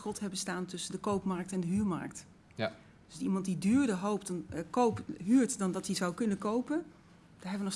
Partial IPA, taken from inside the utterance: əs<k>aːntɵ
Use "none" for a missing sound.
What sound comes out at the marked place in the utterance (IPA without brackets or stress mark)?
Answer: t